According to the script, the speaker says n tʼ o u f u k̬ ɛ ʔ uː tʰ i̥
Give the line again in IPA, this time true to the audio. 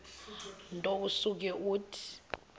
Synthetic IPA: n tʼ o u s u k̬ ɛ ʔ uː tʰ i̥